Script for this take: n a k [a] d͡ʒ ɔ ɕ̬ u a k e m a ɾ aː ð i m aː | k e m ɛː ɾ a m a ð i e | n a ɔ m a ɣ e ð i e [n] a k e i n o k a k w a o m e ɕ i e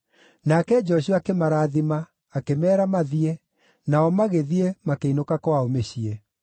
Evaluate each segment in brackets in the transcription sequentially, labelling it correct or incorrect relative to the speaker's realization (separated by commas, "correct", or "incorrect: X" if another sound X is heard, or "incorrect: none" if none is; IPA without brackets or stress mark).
incorrect: ɛ, incorrect: m